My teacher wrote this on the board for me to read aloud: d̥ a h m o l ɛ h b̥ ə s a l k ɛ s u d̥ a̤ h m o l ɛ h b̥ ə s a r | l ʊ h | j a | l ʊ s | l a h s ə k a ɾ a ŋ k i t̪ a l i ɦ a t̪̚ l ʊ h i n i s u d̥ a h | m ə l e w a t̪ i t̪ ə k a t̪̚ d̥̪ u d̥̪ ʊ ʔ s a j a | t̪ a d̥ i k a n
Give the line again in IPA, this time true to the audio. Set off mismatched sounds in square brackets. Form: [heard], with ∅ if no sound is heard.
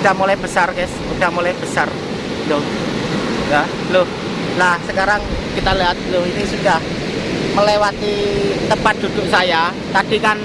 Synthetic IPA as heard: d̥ a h m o l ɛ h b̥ ə s a [r] k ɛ s u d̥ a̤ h m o l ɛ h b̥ ə s a r | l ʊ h | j a | l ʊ [h] | l a h s ə k a ɾ a ŋ k i t̪ a l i ɦ a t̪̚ l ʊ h i n i s u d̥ a h | m ə l e w a t̪ i t̪ ə [p] a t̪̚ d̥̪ u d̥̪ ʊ ʔ s a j a | t̪ a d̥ i k a n

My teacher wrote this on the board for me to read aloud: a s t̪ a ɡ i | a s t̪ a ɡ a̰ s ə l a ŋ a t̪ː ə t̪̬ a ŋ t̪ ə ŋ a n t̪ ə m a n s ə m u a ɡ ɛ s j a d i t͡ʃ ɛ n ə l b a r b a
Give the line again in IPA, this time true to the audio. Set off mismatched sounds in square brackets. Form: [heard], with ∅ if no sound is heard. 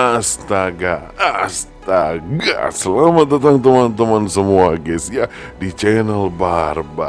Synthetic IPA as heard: a s t̪ a ɡ [a] | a s t̪ a ɡ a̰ s ə l a [m] a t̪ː ə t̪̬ a ŋ t̪ ə [m] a n t̪ ə m a n s ə m u a ɡ ɛ s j a d i t͡ʃ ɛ n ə l b a r b a

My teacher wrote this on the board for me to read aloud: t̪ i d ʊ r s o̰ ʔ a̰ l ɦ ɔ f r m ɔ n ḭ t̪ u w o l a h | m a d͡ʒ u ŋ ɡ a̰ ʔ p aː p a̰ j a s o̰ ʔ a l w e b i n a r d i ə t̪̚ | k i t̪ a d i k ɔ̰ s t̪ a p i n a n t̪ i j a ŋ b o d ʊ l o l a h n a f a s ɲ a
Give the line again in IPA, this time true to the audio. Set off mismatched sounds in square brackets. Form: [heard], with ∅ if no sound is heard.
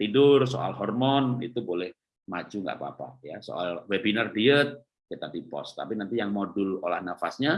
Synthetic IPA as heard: t̪ i d ʊ r s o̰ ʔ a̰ l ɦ ɔ [∅] r m ɔ n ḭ t̪ u [b] o l [ɛ] h | m a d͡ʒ u ŋ ɡ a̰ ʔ p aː p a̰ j a s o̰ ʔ a l w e b i n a r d i ə t̪̚ | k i t̪ a d i [p] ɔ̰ s t̪ a p i n a n t̪ i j a ŋ [m] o d ʊ l o l a h n a f a s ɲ a

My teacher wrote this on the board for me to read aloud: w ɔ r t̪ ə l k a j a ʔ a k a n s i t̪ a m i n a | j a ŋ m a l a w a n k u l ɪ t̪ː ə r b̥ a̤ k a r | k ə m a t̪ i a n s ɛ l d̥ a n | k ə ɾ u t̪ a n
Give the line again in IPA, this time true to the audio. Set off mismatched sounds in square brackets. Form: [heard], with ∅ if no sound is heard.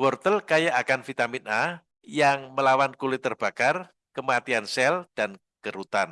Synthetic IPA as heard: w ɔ r t̪ ə l k a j a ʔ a k a n [f] i t̪ a m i n a | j a ŋ m [ə] l a w a n k u l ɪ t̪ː ə r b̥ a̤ k a r | k ə m a t̪ i a n s ɛ l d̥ a n | k ə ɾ u t̪ a n

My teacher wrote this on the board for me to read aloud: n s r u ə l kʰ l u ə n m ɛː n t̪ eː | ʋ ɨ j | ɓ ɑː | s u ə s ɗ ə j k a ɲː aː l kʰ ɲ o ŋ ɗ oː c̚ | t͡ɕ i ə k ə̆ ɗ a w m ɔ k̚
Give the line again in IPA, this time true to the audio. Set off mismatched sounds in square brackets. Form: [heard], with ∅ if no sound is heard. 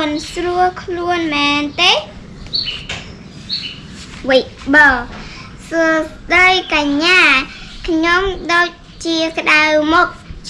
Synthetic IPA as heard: n s r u ə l kʰ l u ə n m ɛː n t̪ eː | ʋ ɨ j | ɓ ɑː | s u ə s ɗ ə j k a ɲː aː [∅] kʰ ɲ o [m] ɗ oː c̚ | t͡ɕ i ə k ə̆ ɗ a w m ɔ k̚

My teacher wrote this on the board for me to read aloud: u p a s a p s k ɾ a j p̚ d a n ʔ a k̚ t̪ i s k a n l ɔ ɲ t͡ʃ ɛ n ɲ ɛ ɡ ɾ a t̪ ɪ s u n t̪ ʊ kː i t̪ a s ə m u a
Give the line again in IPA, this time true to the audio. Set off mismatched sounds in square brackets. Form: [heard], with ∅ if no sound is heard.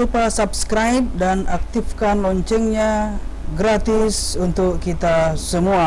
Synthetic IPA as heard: u p a s a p s k ɾ a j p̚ d a n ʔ a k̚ t̪ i [f] k a n l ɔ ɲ t͡ʃ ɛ [ŋ] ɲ [a] ɡ ɾ a t̪ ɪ s u n t̪ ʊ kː i t̪ a s ə m u a

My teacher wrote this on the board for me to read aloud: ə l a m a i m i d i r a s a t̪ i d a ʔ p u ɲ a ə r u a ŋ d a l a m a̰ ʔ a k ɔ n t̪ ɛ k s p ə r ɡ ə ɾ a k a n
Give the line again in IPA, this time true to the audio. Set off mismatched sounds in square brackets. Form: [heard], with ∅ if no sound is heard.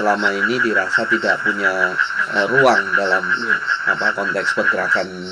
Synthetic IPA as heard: ə l a m a i [n] i d i [ɾ] a s a t̪ i d a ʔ p u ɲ a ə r u a ŋ d a l a m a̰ [p] a k ɔ n t̪ ɛ k s p ə r ɡ ə ɾ a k a n

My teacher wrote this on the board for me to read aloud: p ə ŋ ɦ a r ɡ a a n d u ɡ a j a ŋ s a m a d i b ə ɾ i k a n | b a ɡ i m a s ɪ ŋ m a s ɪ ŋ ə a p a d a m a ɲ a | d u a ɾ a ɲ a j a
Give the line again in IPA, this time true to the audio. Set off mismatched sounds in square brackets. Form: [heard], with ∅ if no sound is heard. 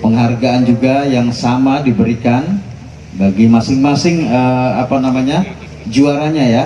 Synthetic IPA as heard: p ə ŋ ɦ a r ɡ a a n [d͡ʒ] u ɡ a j a ŋ s a m a d i b ə ɾ i k a n | b a ɡ i m a s ɪ ŋ m a s ɪ ŋ ə a p a [n] a m a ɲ a | [d͡ʒ] u a ɾ a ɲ a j a

